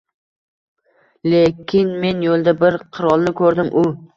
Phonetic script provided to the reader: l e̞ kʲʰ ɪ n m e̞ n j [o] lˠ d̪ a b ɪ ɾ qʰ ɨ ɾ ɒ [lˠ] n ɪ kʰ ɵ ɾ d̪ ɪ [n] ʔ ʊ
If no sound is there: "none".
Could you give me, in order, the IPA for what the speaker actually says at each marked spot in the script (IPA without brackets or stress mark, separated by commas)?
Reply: o, lˠ, m